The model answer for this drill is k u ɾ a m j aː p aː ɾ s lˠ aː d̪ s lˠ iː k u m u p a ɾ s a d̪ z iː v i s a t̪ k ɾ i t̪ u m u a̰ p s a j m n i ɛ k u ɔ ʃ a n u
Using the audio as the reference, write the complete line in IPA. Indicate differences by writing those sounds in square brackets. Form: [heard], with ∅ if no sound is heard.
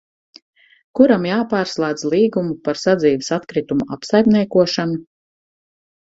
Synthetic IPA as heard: k u ɾ a m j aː p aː ɾ s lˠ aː d̪ [z] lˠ iː [ɡ] u m u p a ɾ s a d̪ z iː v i s a t̪ k ɾ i t̪ u m u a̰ p s a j m n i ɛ k u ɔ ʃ a n u